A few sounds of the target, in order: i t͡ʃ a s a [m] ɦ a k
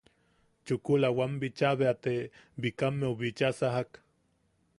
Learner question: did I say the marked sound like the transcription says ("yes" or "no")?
no